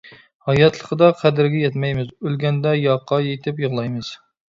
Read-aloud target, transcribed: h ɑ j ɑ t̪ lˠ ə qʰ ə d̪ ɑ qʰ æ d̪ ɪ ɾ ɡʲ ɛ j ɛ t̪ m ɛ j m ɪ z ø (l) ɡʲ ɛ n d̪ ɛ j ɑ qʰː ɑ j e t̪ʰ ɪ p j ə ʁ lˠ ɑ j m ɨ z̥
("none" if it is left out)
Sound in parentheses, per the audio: l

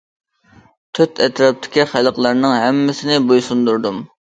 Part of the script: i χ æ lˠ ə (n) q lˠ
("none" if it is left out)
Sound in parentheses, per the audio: none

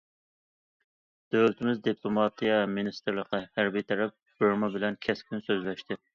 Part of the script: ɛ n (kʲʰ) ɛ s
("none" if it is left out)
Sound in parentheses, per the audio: kʲʰ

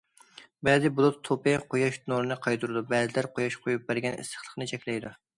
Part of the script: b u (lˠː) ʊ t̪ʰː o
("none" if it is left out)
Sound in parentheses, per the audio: lˠ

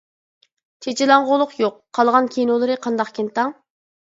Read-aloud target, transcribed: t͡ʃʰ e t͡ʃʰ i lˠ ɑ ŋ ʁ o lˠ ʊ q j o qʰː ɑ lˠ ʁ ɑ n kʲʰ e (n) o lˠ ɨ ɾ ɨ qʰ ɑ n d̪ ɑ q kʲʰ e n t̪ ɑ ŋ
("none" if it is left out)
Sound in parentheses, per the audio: n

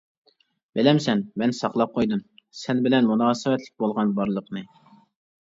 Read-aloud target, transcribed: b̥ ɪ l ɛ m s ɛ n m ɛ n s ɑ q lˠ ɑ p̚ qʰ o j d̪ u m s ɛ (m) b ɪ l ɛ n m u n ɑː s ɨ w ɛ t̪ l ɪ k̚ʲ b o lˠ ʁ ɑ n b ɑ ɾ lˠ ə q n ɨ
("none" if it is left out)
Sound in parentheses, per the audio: n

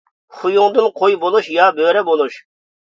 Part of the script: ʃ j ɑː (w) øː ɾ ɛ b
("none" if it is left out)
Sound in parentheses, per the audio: b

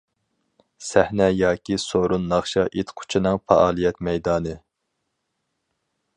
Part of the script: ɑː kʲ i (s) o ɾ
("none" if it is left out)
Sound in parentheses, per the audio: s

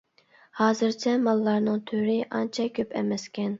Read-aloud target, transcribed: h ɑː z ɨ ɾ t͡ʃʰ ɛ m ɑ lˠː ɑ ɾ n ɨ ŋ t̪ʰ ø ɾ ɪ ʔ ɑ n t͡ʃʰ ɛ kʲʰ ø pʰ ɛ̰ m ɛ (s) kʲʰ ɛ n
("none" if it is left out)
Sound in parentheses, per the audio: s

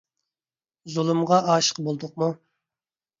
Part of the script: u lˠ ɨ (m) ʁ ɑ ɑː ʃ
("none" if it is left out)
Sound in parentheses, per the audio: m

